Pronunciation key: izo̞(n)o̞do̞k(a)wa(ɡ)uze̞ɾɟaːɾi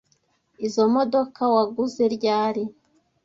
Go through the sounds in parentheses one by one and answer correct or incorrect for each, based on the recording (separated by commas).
incorrect, correct, correct